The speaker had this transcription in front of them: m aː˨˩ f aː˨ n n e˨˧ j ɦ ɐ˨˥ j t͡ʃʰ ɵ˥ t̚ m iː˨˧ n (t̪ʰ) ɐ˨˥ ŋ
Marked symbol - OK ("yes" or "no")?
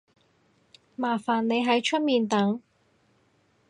no